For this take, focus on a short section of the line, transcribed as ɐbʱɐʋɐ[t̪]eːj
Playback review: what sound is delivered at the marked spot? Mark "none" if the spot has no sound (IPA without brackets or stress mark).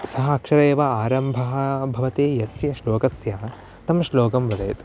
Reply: t̪